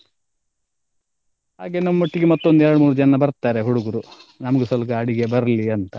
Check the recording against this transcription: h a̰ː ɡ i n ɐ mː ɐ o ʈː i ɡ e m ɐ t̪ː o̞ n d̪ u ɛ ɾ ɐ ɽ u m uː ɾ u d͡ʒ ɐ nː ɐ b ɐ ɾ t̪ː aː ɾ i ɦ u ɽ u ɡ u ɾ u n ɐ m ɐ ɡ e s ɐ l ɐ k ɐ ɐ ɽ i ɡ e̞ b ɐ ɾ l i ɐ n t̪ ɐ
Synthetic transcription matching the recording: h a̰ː ɡ e n ɐ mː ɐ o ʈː i ɡ e m ɐ t̪ː o̞ n d̪ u ɛ ɾ ɐ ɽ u m uː ɾ u d͡ʒ ɐ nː ɐ b ɐ ɾ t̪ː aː ɾ e ɦ u ɽ u ɡ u ɾ u n ɐ m ɐ ɡ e s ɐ l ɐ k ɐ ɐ ɽ i ɡ e̞ b ɐ ɾ l i ɐ n t̪ ɐ